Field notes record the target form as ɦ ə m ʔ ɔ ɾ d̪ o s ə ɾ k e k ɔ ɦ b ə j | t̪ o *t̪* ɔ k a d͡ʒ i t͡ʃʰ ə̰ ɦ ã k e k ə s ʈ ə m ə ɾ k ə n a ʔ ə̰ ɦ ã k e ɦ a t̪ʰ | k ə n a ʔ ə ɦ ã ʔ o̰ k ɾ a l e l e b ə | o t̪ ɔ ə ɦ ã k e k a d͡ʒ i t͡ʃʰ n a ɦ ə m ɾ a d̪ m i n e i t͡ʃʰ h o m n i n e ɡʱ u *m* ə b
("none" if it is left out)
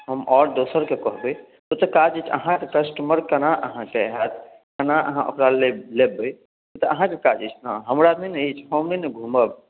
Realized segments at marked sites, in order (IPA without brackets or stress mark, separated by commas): t̪, m